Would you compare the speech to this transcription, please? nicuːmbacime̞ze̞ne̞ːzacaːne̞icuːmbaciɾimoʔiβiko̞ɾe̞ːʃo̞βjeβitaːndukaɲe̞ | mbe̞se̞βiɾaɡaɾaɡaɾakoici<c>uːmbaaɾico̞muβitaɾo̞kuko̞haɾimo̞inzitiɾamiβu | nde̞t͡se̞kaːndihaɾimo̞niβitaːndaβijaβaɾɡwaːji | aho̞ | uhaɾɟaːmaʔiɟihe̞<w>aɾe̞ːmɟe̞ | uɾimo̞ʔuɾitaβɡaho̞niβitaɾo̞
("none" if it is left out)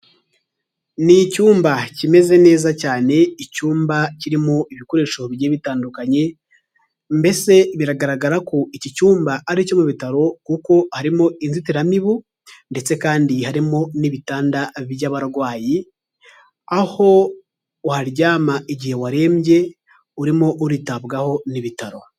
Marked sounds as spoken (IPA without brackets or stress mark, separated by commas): c, w